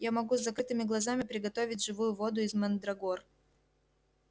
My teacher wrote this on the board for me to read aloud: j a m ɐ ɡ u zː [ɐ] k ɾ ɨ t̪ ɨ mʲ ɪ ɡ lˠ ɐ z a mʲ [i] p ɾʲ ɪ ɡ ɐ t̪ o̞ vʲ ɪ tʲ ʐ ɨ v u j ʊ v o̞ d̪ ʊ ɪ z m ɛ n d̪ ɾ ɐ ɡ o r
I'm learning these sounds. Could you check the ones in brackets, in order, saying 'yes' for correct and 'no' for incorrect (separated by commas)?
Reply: yes, no